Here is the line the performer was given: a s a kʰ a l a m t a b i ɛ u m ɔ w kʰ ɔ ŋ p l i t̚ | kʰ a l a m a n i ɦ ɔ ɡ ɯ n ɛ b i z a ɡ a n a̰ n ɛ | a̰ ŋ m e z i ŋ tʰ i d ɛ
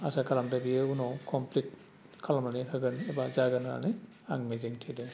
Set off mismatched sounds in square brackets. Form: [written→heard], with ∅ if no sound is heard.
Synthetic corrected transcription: a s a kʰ a l a m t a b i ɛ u [m→n] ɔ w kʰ ɔ [ŋ→m] p l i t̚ | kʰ a l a m a n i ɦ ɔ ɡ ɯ n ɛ b [i→a] z a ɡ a n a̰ n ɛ | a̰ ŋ m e z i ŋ tʰ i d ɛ